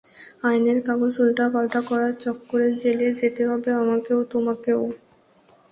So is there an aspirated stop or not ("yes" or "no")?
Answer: no